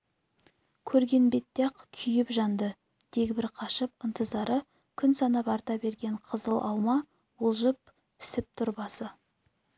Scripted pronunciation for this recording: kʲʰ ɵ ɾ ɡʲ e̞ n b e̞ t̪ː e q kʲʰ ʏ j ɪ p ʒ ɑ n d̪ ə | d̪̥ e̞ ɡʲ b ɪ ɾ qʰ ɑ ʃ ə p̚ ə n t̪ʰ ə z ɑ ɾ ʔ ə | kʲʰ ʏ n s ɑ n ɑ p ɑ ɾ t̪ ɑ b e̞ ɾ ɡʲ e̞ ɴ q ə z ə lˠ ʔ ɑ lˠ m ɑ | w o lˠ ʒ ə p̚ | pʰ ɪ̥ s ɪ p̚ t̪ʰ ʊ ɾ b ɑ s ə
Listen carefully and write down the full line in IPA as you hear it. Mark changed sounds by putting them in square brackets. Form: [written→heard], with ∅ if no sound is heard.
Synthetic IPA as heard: kʲʰ ɵ ɾ ɡʲ e̞ n b e̞ t̪ː e q kʲʰ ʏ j ɪ p ʒ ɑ n d̪ ə | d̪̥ e̞ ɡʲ b ɪ ɾ qʰ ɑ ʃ ə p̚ ə n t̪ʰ ə z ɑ ɾ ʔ ə | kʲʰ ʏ n s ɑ n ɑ p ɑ ɾ t̪ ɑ b e̞ ɾ ɡʲ e̞ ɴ [q→qʰ] ə z ə lˠ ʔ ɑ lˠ m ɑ | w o lˠ ʒ ə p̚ | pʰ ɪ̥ s ɪ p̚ t̪ʰ ʊ ɾ b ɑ s ə

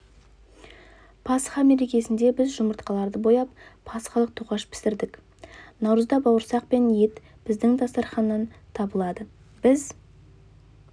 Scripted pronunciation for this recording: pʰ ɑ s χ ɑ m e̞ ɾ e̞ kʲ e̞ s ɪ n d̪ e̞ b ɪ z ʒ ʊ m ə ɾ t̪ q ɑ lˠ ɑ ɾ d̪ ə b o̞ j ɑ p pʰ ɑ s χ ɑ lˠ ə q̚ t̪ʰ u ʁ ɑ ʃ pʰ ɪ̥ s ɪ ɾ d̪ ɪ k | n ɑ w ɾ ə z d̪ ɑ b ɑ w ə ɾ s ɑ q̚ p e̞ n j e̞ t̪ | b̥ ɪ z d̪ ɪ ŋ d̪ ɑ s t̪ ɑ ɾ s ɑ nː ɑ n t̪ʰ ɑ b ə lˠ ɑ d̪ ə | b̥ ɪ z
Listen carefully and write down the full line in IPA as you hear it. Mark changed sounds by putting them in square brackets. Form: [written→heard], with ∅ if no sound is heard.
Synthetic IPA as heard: pʰ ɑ s χ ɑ m e̞ ɾ e̞ kʲ e̞ s ɪ n d̪ e̞ b ɪ z ʒ ʊ m ə ɾ t̪ q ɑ lˠ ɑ ɾ d̪ ə b o̞ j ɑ p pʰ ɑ s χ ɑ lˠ ə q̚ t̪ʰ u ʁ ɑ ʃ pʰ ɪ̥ s ɪ ɾ d̪ ɪ k | n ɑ w ɾ ə z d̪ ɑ b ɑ w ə ɾ s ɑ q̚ p e̞ n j e̞ t̪ | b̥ ɪ z d̪ ɪ ŋ d̪ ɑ s t̪ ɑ ɾ [s→χ] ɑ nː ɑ n t̪ʰ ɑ b ə lˠ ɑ d̪ ə | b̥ ɪ z

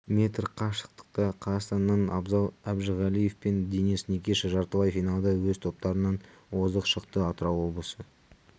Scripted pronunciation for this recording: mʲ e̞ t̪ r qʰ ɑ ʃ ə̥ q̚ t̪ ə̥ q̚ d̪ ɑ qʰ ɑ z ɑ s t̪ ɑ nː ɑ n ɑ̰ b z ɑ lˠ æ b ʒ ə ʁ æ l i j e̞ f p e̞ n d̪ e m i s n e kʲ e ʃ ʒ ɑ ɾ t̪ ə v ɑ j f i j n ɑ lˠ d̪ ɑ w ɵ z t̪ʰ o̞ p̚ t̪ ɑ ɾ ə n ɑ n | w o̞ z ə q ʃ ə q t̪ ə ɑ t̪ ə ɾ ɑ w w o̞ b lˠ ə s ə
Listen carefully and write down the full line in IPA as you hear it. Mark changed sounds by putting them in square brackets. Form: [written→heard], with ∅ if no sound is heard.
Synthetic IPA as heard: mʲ e̞ t̪ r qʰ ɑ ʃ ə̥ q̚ t̪ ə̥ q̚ [d̪→t̪] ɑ qʰ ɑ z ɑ s t̪ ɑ nː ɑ n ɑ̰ b z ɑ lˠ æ b ʒ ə ʁ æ l i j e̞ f p e̞ n d̪ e [m→n] i s n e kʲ e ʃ ʒ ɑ ɾ t̪ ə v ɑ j f i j n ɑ lˠ d̪ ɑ w ɵ z t̪ʰ o̞ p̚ t̪ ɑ ɾ ə n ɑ n | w o̞ z ə q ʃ ə q t̪ ə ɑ t̪ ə ɾ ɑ w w o̞ b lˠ ə s ə

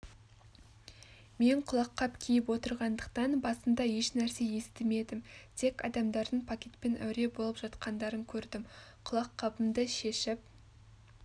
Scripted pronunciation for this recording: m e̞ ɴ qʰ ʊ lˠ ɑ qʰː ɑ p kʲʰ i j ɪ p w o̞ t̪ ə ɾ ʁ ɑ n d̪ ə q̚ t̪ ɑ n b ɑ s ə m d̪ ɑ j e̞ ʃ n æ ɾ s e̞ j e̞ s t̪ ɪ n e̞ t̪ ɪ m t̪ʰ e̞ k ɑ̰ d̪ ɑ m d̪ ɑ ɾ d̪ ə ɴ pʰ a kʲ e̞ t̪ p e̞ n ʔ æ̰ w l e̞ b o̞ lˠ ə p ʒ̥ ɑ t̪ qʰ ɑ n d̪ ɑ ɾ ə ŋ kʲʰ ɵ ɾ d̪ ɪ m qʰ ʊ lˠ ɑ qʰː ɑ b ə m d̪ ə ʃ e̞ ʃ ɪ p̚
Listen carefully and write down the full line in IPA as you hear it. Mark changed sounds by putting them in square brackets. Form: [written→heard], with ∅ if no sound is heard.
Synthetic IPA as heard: m e̞ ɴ qʰ ʊ lˠ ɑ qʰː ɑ p kʲʰ i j ɪ p w o̞ t̪ ə ɾ ʁ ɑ n d̪ ə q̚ t̪ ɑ n b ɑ s ə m d̪ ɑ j e̞ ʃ n æ ɾ s e̞ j e̞ s t̪ ɪ [n→m] e̞ [t̪→d̪] ɪ m t̪ʰ e̞ k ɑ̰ d̪ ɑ m d̪ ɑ ɾ d̪ ə ɴ pʰ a kʲ e̞ t̪ p e̞ n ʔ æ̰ w [l→ɾ] e̞ b o̞ lˠ ə p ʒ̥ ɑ t̪ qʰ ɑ n d̪ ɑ ɾ ə ŋ kʲʰ ɵ ɾ d̪ ɪ m qʰ ʊ lˠ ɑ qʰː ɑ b ə m d̪ ə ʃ e̞ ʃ ɪ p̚

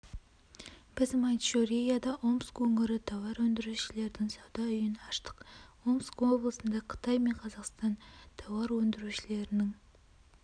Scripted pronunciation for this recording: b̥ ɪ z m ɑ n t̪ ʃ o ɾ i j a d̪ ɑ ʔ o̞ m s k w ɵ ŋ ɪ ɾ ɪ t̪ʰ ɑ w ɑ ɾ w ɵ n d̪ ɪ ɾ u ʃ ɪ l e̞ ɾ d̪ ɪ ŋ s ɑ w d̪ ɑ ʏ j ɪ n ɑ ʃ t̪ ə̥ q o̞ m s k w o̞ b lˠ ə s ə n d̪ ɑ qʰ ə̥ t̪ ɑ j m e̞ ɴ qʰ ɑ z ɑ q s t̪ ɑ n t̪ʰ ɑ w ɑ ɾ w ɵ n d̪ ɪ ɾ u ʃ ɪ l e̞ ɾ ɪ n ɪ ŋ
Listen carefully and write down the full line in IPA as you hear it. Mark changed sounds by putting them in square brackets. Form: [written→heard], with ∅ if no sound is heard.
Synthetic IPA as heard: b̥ ɪ z m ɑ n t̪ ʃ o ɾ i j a d̪ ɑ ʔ o̞ m s k w ɵ ŋ ɪ ɾ ɪ t̪ʰ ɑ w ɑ ɾ w ɵ n d̪ ɪ ɾ u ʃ ɪ l e̞ ɾ d̪ ɪ ŋ s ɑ w d̪ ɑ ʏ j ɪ n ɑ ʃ t̪ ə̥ q o̞ m s k w o̞ b lˠ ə s ə n d̪ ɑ qʰ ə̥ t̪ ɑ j m e̞ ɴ qʰ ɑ z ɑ q s t̪ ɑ n t̪ʰ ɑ w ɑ ɾ w ɵ n d̪ ɪ ɾ u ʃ ɪ l e̞ ɾ ɪ n ɪ ŋ

